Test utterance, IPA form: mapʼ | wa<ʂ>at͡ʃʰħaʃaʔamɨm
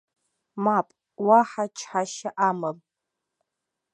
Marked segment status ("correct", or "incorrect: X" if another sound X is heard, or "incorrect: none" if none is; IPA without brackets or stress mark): incorrect: ħ